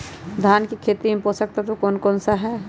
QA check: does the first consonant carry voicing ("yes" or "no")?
yes